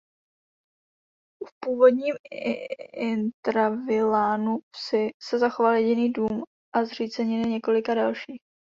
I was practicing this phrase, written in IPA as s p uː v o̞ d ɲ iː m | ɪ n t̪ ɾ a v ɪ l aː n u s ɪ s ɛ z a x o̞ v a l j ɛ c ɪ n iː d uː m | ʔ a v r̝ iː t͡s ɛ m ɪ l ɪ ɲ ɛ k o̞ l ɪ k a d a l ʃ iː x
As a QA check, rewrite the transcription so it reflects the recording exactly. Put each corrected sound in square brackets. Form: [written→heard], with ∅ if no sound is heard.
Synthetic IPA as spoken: [s→f] p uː v o̞ d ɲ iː m | ɪ n t̪ ɾ a v ɪ l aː n u s ɪ s ɛ z a x o̞ v a l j ɛ [c→ɟ] ɪ n iː d uː m | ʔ a [v→z] r̝ iː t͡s ɛ [m→ɲ] ɪ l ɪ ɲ ɛ k o̞ l ɪ k a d a l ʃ iː x